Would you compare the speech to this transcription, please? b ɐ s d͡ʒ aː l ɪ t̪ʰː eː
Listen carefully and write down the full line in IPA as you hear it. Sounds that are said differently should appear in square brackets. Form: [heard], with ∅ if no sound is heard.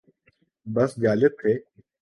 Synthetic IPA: b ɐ s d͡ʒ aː l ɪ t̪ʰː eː